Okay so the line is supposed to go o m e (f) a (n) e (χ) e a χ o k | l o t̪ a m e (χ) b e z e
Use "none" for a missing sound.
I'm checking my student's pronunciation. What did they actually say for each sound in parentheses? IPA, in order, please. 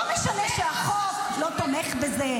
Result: ʃ, n, ʃ, χ

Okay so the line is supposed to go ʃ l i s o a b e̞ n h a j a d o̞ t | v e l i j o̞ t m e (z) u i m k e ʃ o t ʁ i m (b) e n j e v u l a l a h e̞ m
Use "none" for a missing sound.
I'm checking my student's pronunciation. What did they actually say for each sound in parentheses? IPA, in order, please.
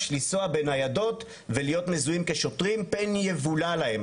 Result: z, p

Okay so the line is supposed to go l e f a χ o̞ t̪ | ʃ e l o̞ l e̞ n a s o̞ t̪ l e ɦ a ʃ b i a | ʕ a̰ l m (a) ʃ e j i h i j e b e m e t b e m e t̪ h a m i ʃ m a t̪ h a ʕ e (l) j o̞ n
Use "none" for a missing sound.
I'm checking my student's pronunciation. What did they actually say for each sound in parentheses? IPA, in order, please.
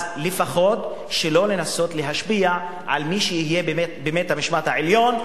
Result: i, l

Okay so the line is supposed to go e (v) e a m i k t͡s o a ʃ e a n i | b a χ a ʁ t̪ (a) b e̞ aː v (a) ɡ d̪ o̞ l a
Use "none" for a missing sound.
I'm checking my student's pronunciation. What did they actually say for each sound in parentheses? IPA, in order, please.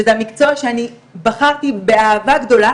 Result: z, i, a

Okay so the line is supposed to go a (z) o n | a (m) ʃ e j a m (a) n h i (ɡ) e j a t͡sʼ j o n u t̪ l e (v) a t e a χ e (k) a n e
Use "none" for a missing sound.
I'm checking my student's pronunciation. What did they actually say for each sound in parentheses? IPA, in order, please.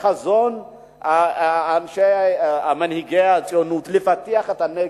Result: z, n, a, ɡ, f, t

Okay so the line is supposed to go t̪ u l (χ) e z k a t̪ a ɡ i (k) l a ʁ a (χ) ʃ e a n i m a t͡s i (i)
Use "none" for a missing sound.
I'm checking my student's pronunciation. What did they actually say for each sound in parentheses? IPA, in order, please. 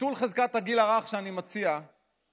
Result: χ, none, χ, a

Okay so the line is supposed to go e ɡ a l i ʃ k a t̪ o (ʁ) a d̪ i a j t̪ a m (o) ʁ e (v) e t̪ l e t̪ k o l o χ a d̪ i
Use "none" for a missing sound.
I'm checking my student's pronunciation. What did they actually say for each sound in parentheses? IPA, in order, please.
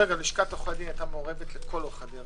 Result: χ, o, v

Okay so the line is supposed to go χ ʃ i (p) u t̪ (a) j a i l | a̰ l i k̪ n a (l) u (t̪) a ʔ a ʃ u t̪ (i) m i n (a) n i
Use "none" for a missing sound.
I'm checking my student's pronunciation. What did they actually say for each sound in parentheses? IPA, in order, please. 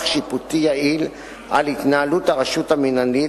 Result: p, i, l, t̪, a, a

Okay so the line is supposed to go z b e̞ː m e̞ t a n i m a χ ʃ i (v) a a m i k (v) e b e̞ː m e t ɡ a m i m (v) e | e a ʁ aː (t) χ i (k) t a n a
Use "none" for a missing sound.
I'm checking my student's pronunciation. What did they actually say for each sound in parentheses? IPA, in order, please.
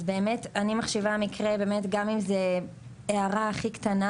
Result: v, ʁ, z, none, k

